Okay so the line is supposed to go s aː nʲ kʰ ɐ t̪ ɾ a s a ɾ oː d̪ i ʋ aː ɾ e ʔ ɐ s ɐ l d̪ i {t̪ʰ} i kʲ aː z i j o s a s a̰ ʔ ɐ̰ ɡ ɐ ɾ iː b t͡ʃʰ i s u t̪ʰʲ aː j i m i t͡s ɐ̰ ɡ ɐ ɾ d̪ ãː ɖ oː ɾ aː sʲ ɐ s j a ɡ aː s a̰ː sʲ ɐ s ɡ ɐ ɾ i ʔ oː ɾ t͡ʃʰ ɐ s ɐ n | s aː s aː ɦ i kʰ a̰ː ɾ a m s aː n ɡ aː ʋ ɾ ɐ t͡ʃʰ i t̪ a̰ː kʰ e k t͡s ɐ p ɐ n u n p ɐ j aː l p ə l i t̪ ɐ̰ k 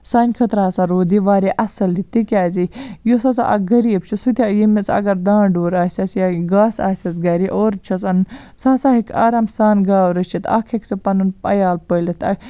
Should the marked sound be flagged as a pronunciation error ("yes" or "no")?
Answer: yes